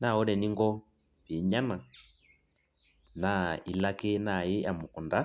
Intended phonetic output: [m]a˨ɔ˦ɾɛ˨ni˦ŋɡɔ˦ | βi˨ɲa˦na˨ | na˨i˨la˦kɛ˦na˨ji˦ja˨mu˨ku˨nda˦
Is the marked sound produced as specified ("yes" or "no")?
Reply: no